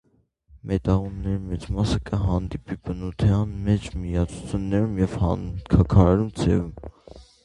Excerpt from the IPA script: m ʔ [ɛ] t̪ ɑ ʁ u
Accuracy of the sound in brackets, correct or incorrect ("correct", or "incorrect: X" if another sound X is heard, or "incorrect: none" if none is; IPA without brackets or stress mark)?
correct